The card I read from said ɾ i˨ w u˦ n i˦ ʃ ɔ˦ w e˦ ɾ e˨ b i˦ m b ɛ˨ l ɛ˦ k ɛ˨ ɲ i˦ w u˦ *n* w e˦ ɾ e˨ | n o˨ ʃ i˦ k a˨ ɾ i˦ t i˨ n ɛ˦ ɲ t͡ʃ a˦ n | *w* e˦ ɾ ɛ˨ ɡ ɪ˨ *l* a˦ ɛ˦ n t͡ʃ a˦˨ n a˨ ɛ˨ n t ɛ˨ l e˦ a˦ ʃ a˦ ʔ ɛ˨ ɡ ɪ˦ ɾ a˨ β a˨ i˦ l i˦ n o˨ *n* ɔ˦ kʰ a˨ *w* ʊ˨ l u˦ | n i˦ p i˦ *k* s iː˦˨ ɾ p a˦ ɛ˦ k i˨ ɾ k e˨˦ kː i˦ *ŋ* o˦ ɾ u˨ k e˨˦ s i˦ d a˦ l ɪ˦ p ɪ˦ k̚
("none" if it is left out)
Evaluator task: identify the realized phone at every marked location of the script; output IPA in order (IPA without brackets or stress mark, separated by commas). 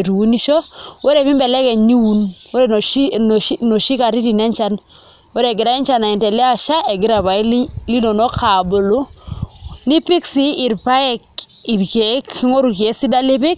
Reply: n, w, ɾ, n, b, k, ŋ